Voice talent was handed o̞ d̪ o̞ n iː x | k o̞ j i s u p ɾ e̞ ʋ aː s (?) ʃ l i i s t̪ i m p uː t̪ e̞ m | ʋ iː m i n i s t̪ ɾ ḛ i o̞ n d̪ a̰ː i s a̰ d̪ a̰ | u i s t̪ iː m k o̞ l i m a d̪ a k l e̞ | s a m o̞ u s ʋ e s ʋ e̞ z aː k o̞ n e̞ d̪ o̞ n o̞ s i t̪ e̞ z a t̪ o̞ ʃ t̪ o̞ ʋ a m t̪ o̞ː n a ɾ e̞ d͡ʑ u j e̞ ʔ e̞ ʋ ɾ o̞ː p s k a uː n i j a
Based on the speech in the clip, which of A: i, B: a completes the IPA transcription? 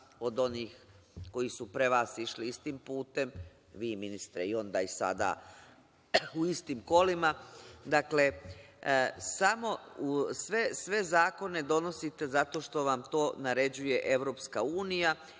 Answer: A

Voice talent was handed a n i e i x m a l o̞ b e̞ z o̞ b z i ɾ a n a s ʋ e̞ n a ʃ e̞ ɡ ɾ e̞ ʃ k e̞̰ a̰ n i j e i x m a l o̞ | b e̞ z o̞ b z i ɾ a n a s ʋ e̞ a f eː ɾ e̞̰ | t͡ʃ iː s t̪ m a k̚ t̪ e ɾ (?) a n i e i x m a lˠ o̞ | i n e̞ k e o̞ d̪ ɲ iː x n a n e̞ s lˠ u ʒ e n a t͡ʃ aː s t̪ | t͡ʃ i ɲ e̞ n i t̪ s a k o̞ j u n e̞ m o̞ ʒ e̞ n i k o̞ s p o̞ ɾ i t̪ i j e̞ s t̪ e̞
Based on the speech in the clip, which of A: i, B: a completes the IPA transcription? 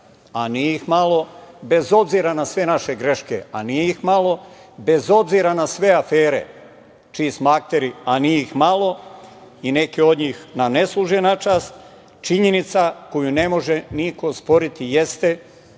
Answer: A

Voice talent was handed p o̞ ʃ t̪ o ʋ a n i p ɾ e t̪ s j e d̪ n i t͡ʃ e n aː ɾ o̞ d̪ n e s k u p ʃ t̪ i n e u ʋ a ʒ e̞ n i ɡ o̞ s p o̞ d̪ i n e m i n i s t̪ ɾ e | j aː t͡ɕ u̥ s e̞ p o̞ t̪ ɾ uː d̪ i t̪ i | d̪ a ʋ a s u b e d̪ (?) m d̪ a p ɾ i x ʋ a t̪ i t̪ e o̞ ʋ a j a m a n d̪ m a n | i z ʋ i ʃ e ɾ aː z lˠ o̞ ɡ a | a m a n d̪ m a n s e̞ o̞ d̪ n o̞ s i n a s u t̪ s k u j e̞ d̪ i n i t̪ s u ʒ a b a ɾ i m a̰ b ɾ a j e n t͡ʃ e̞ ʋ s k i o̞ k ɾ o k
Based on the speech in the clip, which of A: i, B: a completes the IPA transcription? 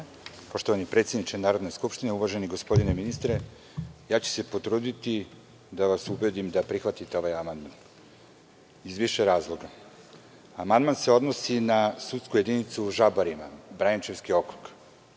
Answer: A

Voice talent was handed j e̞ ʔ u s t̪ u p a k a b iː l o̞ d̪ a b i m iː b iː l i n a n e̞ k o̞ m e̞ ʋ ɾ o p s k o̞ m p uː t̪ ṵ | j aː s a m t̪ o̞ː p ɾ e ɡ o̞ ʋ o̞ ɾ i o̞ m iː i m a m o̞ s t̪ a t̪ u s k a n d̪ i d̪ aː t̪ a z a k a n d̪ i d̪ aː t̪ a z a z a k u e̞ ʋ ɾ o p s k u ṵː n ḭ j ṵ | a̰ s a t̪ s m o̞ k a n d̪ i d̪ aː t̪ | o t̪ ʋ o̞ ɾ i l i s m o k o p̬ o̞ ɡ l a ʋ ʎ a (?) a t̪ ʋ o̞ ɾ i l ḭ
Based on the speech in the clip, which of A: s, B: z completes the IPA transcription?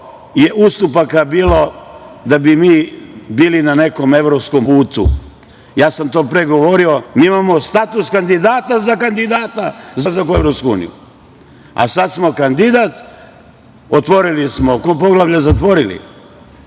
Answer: B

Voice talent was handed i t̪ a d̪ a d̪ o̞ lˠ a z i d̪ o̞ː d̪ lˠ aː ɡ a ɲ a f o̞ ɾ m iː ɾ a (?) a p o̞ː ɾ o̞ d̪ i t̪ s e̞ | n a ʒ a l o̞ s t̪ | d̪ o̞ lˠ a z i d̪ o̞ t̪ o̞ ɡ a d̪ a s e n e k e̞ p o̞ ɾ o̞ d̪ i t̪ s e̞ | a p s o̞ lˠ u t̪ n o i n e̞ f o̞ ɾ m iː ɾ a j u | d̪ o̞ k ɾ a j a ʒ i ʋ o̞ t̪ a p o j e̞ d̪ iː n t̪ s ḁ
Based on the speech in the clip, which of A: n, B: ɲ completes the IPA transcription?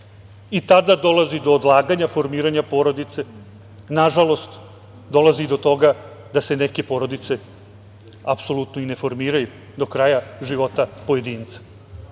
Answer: B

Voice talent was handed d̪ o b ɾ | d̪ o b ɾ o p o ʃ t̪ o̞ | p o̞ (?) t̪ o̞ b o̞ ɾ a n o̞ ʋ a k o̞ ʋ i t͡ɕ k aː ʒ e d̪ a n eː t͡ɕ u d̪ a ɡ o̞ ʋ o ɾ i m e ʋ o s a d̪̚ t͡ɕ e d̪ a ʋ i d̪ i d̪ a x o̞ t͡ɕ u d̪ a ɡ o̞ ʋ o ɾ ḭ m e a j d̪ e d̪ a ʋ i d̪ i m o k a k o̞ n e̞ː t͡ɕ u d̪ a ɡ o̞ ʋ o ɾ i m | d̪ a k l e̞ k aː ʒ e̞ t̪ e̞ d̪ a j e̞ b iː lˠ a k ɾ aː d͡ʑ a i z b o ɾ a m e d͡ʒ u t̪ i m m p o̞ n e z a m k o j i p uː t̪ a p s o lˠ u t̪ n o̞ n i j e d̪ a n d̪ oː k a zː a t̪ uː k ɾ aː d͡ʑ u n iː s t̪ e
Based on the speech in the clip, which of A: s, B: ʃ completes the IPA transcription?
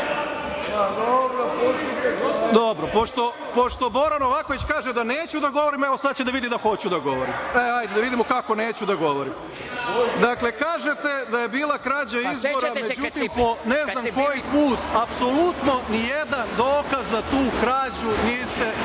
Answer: B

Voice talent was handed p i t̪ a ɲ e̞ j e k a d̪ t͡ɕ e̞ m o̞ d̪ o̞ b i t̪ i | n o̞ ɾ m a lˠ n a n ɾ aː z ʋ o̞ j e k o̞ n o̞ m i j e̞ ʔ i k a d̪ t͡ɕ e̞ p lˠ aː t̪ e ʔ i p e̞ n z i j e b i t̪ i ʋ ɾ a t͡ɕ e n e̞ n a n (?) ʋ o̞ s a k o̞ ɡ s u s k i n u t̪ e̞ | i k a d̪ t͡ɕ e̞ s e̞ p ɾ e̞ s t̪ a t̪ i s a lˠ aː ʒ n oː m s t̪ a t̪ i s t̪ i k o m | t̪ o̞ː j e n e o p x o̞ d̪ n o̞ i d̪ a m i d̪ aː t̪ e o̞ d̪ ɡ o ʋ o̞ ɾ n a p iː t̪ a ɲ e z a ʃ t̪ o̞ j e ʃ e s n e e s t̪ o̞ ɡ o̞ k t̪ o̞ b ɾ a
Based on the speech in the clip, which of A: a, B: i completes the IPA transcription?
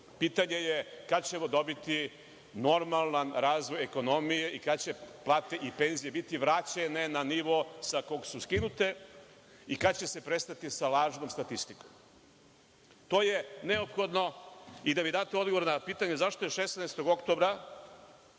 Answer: B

